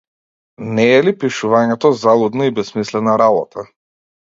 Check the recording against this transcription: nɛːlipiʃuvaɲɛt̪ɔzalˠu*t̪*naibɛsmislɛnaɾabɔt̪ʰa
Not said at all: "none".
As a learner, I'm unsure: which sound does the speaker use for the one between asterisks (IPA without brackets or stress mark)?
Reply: d̪